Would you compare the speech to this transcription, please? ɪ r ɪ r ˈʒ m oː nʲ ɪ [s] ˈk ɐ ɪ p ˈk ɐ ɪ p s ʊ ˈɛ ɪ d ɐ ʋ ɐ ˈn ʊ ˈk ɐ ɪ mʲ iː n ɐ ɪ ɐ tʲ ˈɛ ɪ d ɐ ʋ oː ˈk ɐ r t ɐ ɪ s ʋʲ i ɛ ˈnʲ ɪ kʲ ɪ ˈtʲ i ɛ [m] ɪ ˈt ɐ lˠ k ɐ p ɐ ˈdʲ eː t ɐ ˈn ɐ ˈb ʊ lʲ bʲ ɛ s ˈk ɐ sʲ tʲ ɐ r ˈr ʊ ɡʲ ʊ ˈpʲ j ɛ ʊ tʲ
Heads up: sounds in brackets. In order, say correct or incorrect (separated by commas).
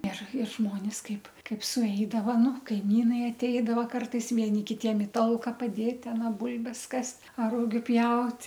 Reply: correct, correct